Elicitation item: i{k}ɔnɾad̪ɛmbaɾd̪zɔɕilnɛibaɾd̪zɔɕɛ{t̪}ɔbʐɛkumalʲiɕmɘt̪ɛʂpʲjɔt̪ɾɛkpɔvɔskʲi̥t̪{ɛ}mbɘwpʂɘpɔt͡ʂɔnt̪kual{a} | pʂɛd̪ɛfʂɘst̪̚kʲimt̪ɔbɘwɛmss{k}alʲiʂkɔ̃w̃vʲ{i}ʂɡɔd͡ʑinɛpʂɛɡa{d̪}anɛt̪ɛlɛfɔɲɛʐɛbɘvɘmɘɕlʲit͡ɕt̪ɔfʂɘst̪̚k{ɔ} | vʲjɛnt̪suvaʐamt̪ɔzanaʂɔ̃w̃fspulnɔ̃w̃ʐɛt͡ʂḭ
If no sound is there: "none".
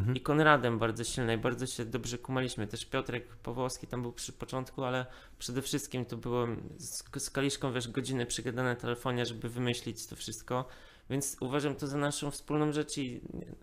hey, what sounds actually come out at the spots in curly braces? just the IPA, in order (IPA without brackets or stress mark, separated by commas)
k, d̪, a, ɛ, k, ɛ, d̪, ɔ